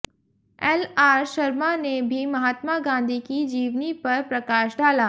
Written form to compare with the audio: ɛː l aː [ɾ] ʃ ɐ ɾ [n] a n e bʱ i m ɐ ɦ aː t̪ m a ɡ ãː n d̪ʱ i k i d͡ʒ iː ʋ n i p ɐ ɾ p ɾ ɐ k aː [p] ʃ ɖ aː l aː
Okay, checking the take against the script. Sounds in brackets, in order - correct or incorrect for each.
correct, incorrect: m, incorrect: none

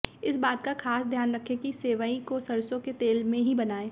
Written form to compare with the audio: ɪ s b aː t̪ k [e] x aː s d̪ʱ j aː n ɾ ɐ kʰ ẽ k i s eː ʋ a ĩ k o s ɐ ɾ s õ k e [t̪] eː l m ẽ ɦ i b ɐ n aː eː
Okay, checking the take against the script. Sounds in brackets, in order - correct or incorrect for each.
incorrect: a, correct

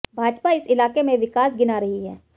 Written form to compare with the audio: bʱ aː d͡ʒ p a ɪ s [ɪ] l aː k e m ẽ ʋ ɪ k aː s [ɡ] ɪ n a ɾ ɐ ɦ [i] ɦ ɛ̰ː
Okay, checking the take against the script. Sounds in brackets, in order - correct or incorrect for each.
correct, correct, correct

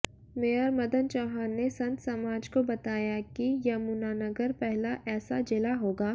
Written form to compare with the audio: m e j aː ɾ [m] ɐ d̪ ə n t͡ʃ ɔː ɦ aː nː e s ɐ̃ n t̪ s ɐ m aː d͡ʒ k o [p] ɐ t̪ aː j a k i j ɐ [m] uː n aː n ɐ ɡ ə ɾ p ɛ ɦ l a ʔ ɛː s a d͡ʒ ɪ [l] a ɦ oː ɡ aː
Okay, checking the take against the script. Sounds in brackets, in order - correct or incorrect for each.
correct, incorrect: b, correct, correct

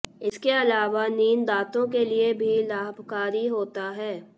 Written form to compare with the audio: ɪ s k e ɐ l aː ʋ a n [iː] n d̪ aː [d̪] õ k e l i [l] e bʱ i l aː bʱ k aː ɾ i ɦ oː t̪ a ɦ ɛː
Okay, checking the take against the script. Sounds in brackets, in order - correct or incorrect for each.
correct, incorrect: t̪, incorrect: none

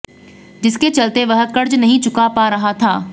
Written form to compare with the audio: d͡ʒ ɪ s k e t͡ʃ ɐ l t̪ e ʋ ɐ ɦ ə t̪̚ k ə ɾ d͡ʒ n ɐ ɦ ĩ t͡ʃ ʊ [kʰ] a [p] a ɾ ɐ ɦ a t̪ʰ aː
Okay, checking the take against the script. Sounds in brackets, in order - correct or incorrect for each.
incorrect: k, correct

